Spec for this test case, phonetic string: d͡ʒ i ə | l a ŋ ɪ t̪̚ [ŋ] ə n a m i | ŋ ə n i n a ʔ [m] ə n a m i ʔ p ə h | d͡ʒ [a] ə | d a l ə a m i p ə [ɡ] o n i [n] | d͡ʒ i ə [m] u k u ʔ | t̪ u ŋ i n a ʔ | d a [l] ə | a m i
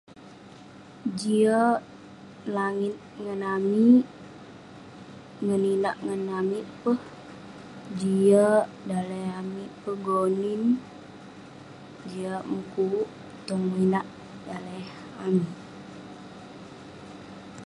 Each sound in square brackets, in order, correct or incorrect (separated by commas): correct, incorrect, incorrect, correct, correct, correct, correct